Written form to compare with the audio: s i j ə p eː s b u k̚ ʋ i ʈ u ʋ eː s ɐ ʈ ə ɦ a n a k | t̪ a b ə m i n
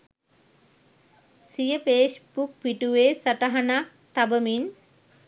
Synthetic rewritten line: s i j ə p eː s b u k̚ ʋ i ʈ u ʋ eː s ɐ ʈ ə ɦ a n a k | t̪ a b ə m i n